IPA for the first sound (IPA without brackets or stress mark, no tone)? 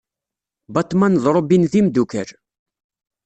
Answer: b